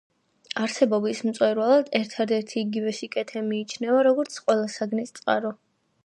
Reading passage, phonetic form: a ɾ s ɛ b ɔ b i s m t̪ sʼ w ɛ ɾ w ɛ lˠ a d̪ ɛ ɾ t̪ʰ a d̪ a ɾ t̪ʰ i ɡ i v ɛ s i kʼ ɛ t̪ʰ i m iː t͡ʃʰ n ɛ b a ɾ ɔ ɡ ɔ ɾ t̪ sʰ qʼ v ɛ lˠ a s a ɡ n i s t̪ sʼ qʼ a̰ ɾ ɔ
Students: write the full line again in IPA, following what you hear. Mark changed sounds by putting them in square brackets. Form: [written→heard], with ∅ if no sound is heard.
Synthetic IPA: a ɾ s ɛ b ɔ b i s m t̪ sʼ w ɛ ɾ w [ɛ→a] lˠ a d̪ ɛ ɾ t̪ʰ a d̪ [a→ɛ] ɾ t̪ʰ [i→iː] ɡ i v ɛ s i kʼ ɛ t̪ʰ [i→ɛ] m iː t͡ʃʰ n ɛ [b→v] a ɾ ɔ ɡ ɔ ɾ t̪ sʰ qʼ [v→w] ɛ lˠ a s a ɡ n i s t̪ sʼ qʼ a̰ ɾ ɔ

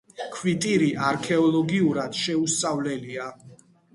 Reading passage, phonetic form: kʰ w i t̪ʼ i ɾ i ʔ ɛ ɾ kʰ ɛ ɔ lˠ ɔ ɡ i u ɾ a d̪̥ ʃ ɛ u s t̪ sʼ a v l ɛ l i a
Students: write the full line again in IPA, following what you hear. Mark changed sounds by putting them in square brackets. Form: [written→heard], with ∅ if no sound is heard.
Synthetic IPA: kʰ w i t̪ʼ i ɾ i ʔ [ɛ→a] ɾ kʰ ɛ ɔ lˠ ɔ ɡ i u ɾ a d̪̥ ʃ ɛ u s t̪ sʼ a v l ɛ l i a

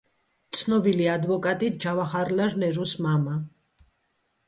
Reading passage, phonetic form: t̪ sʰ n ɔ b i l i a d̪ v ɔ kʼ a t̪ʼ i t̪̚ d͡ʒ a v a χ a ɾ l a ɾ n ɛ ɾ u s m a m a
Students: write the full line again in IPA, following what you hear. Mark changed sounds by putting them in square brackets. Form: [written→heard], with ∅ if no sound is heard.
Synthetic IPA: t̪ sʰ n ɔ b i l i a d̪ v ɔ kʼ a t̪ʼ i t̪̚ d͡ʒ a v a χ a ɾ l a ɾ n ɛ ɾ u s m a m a

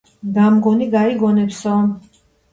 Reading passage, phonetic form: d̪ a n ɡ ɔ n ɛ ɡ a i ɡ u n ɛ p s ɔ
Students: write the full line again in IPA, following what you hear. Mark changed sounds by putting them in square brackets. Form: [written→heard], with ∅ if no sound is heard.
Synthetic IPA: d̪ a [n→m] ɡ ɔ n [ɛ→i] ɡ a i ɡ [u→ɔ] n ɛ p s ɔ

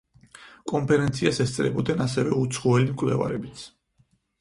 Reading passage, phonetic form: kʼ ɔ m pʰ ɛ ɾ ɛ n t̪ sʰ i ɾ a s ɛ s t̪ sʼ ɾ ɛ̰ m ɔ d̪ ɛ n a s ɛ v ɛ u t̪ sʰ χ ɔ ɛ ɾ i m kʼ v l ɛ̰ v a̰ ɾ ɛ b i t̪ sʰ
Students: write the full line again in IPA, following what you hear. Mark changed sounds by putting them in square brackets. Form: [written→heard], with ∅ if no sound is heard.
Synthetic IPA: kʼ ɔ m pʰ ɛ ɾ ɛ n t̪ sʰ i [ɾ→∅] a s ɛ s t̪ sʼ ɾ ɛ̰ [m→b] ɔ d̪ ɛ n a s ɛ v ɛ u t̪ sʰ χ ɔ ɛ [ɾ→l] i m kʼ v l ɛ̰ v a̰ ɾ ɛ b i t̪ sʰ

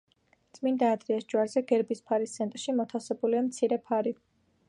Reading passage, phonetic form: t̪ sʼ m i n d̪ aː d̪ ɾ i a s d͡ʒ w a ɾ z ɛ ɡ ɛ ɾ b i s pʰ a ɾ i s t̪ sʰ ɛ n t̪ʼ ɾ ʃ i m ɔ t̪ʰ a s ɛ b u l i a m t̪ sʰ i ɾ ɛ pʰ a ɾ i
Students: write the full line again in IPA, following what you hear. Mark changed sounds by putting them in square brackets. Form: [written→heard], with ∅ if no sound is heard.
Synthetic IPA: t̪ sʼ m i n d̪ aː d̪ ɾ i a s d͡ʒ w a ɾ z ɛ ɡ ɛ ɾ b i s pʰ a ɾ i s t̪ sʰ ɛ n t̪ʼ ɾ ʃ i m ɔ t̪ʰ a s ɛ b u l i a m t̪ sʰ i ɾ ɛ pʰ a ɾ i

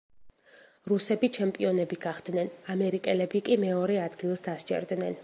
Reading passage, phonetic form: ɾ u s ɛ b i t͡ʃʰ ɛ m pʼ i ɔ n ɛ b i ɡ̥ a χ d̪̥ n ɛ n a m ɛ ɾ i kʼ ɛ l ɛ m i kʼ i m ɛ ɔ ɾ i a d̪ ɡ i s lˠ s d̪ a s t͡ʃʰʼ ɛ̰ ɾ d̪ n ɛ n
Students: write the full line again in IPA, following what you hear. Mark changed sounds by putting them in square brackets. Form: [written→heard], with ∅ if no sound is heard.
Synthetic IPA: ɾ u s ɛ b i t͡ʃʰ ɛ m pʼ i ɔ n ɛ b i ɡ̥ a χ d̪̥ n ɛ n a m ɛ ɾ i kʼ ɛ l ɛ [m→b] i kʼ i m ɛ ɔ ɾ [i→ɛ] a d̪ ɡ i [s→∅] lˠ s d̪ a s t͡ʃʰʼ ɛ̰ ɾ d̪ n ɛ n

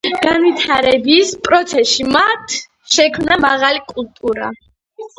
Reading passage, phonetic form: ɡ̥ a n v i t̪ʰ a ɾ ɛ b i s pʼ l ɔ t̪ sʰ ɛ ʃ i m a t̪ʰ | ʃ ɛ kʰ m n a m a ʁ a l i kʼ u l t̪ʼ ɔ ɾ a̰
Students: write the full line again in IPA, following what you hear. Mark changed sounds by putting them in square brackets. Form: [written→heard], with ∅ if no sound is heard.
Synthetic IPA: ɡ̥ a n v i t̪ʰ a ɾ ɛ b i s pʼ [l→ɾ] ɔ t̪ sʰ ɛ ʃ i m a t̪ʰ | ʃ ɛ kʰ m n a m a ʁ a l i kʼ u l t̪ʼ [ɔ→u] ɾ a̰

